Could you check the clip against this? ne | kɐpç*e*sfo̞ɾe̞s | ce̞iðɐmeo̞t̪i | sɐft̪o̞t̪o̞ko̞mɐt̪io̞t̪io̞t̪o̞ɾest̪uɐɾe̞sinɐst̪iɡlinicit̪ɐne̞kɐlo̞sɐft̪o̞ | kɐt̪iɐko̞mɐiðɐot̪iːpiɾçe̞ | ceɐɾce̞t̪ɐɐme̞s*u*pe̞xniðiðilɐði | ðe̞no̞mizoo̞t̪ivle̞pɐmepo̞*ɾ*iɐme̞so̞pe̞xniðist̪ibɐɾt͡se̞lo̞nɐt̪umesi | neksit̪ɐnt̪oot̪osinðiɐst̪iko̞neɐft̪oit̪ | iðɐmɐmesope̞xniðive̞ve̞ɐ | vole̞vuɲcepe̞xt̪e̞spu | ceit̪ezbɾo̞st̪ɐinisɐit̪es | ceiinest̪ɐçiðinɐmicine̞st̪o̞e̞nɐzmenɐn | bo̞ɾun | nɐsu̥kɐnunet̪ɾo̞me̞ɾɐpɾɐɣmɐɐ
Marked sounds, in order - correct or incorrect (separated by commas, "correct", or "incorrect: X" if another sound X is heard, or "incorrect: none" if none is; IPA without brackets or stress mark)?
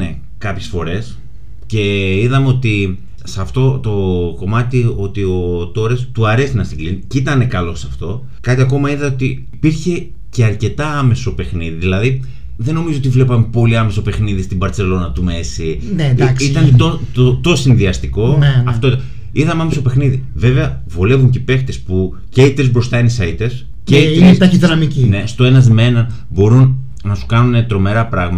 correct, incorrect: o, incorrect: l